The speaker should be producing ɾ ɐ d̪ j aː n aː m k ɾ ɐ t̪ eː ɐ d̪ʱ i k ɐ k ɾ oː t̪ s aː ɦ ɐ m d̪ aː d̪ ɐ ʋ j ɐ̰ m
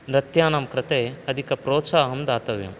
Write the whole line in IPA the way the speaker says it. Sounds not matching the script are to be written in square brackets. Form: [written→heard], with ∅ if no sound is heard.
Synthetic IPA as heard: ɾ ɐ [d̪→t̪] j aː n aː m k ɾ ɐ t̪ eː ɐ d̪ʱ i k ɐ [k→p] ɾ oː t̪ s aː ɦ ɐ m d̪ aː [d̪→t̪] ɐ ʋ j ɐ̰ m